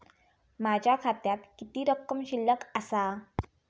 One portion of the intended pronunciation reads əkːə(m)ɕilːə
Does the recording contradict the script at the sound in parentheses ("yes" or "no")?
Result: no